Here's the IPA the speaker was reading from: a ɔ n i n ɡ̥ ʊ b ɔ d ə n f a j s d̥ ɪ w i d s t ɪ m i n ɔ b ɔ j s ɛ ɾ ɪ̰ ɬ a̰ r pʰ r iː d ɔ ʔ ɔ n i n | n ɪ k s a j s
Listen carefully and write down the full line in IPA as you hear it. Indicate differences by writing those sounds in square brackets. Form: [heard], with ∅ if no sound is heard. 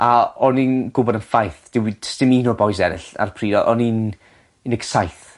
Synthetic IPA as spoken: a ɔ n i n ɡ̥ ʊ b ɔ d ə n f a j [θ] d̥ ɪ w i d s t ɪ m i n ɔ b ɔ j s ɛ ɾ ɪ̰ ɬ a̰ r pʰ r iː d ɔ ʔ ɔ n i n | n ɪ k s a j [θ]